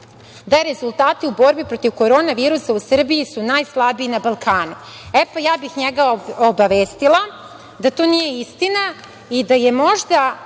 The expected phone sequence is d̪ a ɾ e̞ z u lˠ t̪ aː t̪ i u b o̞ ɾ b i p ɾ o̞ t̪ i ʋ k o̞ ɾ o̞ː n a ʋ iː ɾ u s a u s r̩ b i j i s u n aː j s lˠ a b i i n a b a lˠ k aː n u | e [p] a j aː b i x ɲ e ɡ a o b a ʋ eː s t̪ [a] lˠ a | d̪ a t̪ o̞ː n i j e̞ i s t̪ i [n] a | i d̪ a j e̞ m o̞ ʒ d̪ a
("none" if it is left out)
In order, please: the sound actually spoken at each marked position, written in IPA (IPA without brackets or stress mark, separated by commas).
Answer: p, i, n